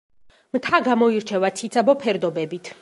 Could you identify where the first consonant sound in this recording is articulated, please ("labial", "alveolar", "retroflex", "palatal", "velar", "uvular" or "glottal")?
labial